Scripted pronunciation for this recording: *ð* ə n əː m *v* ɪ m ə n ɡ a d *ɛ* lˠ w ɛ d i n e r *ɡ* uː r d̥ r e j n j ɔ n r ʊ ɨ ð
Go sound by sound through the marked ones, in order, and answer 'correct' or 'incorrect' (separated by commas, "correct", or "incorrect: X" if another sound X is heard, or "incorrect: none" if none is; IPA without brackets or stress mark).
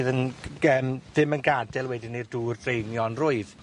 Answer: correct, incorrect: ð, correct, incorrect: d